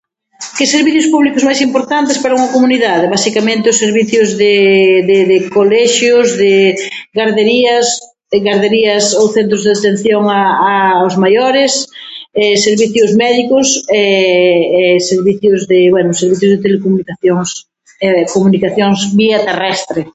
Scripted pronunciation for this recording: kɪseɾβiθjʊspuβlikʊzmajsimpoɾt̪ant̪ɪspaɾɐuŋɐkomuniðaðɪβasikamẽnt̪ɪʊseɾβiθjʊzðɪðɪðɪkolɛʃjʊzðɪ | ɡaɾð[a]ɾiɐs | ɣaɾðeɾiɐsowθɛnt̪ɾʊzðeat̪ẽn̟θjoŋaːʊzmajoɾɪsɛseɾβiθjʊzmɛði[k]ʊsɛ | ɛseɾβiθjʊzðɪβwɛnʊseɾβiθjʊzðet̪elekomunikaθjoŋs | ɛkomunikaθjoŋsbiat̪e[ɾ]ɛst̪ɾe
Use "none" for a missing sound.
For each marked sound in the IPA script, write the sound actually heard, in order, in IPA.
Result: e, k, r

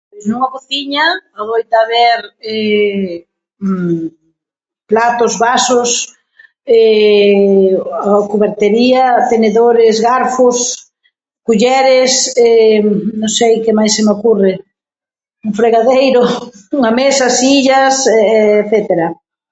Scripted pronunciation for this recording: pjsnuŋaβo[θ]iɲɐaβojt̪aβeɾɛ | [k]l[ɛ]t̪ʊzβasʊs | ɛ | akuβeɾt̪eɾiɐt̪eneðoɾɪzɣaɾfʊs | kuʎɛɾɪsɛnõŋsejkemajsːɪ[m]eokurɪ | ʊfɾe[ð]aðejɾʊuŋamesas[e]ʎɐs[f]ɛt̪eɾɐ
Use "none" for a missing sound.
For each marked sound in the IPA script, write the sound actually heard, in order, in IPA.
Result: θ, p, a, m, ɣ, i, θ

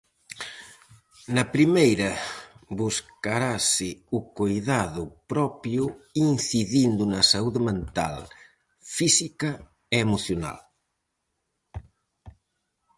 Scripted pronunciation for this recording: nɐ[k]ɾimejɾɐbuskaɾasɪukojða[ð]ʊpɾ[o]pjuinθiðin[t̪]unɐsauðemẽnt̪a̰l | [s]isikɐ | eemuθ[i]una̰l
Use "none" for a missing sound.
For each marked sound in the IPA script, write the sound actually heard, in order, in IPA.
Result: p, ð, ɔ, d̪, f, j

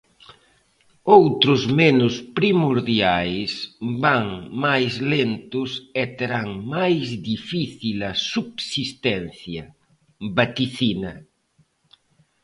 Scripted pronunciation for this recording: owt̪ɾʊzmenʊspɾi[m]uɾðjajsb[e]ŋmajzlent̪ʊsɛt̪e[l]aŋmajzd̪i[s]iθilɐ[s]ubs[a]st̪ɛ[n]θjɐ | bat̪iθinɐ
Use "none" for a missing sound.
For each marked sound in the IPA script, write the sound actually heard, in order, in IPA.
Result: m, a, ɾ, f, s, i, n

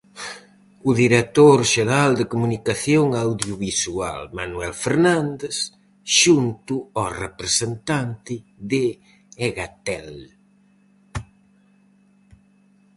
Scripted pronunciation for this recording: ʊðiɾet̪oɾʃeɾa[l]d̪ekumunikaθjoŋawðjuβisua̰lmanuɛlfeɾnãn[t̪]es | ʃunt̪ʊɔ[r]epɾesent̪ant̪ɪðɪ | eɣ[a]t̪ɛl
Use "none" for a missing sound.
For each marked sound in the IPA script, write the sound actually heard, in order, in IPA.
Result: l, d̪, r, a

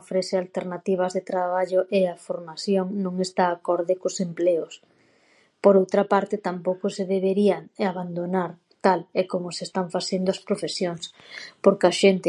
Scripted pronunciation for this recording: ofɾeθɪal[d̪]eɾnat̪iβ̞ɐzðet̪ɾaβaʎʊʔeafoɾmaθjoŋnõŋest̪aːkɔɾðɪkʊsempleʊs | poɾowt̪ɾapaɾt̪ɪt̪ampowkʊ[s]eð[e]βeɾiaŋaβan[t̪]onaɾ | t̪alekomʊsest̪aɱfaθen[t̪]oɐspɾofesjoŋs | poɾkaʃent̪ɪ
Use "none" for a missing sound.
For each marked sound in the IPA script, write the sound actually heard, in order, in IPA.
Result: t̪, s, e, d̪, d̪

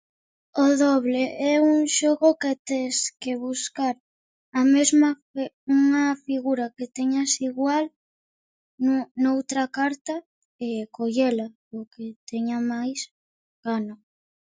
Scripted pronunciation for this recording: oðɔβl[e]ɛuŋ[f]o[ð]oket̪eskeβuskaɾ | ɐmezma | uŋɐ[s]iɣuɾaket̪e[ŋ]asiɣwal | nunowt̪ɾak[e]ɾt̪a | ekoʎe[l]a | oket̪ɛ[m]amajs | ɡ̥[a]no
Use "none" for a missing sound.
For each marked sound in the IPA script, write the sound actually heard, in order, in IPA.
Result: e, ʃ, ɣ, f, ɲ, a, l, ɲ, a

